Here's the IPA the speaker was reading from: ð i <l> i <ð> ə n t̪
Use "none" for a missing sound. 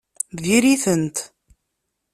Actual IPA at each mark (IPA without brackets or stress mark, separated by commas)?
ɾ, θ